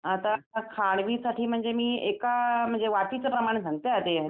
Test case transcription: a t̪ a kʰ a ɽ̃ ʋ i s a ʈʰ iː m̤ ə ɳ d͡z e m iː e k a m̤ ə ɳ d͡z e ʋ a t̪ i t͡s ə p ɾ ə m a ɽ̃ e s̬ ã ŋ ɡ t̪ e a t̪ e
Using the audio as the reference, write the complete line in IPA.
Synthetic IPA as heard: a t̪ a kʰ a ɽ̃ ʋ i s a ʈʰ iː m̤ ə ɳ d͡z e m iː e k a m̤ ə ɳ d͡z e ʋ a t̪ i t͡s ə p ɾ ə m a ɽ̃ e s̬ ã ŋ ɡ t̪ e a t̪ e

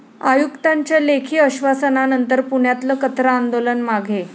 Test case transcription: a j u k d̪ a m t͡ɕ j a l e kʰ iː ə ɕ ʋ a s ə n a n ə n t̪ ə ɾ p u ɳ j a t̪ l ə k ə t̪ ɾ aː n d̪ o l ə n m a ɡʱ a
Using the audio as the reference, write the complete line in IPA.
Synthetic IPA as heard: a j u k t̪ a ɲ t͡ɕ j a l e kʰ iː ə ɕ ʋ a s ə n a n ə n t̪ ə ɾ p u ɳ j a t̪ l ə k ə t̪ ɾ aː n d̪ o l ə n m a ɡʱ e

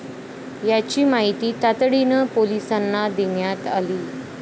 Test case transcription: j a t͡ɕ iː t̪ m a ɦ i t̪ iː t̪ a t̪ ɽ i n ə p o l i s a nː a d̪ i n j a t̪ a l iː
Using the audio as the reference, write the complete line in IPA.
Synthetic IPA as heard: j a t͡ɕ iː m a ɦ i t̪ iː t̪ a t̪ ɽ i n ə p o l i s a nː a d̪ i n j a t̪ a l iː

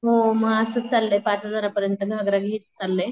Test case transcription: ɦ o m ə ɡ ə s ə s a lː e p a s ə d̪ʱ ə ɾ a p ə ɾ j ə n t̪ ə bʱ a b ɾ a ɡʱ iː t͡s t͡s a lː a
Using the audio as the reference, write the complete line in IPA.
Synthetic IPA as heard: ɦ o m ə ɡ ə s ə t͡s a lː e p a t͡s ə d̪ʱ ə ɾ a p ə ɾ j ə n t̪ ə ɡʱ a ɡ ɾ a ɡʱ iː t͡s t͡s a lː e

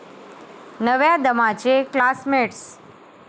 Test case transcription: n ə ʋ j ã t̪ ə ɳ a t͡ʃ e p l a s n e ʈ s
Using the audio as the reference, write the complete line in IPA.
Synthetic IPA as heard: n ə ʋ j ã d̪ ə m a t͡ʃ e k l a s m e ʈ s

